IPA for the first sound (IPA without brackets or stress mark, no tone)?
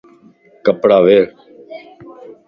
k